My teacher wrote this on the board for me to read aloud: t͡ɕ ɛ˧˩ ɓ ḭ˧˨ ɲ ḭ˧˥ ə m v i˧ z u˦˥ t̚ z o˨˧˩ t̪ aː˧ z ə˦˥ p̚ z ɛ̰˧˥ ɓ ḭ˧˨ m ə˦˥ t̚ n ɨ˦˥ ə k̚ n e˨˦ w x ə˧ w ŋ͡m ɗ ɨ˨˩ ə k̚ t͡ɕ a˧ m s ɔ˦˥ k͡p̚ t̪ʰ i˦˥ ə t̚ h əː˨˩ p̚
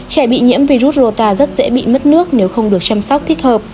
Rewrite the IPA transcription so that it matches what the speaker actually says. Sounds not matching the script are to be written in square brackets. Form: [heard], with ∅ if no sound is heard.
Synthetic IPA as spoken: t͡ɕ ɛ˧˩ ɓ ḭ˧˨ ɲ ḭ˧˥ ə m v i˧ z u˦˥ t̚ z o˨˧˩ t̪ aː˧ z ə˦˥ [t̚] z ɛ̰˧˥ ɓ ḭ˧˨ m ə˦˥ t̚ n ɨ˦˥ ə k̚ n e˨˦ w x ə˧ w ŋ͡m ɗ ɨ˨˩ ə k̚ t͡ɕ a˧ m s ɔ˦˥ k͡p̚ t̪ʰ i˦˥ ə t̚ h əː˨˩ p̚